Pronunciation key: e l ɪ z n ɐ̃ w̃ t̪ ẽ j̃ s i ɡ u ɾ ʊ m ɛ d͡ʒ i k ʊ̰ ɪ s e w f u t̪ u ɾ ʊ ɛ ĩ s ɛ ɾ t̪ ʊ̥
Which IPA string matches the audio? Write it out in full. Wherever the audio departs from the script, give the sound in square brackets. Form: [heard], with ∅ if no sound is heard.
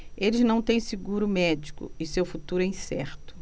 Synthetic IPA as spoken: e l ɪ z n ɐ̃ w̃ t̪ ẽ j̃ s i ɡ u ɾ ʊ m ɛ d͡ʒ i k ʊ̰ ɪ s e w f u t̪ u ɾ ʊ ɛ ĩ s ɛ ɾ t̪ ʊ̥

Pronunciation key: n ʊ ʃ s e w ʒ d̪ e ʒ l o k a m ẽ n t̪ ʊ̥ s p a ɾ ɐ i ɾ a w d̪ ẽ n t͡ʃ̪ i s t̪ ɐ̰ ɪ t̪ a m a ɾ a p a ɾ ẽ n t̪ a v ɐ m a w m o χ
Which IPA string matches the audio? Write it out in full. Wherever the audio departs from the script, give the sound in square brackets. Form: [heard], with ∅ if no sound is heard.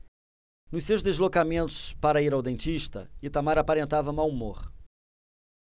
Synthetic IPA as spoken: n ʊ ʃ s e w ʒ d̪ e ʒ l o k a m ẽ n t̪ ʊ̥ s p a ɾ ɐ i ɾ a w d̪ ẽ n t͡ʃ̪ i [ʃ] t̪ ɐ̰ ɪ t̪ a m a ɾ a p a ɾ ẽ n t̪ a v ɐ m a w m o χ

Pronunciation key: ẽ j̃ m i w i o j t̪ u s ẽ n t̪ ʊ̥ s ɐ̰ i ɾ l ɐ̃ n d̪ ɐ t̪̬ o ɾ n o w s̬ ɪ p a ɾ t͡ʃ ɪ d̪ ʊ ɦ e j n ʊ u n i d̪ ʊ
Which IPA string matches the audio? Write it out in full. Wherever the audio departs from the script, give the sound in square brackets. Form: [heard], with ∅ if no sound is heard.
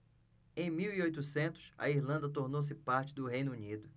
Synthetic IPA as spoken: ẽ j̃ m i w i o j t̪ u s ẽ n t̪ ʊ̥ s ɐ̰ i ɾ l ɐ̃ n d̪ ɐ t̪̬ o ɾ n o w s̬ ɪ p a ɾ t͡ʃ ɪ d̪ ʊ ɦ e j n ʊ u n i d̪ ʊ

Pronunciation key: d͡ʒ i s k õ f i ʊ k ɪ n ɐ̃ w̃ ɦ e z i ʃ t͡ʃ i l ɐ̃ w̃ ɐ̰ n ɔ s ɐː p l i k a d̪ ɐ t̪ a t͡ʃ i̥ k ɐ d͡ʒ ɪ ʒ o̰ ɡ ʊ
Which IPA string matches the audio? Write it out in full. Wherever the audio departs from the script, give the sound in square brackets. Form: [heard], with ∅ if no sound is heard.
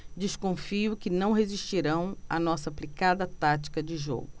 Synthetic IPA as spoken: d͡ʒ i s k õ f i ʊ k ɪ n ɐ̃ w̃ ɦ e z i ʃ t͡ʃ i [ɾ] ɐ̃ w̃ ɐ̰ n ɔ s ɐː p l i k a d̪ ɐ t̪ a t͡ʃ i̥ k ɐ d͡ʒ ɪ ʒ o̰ ɡ ʊ

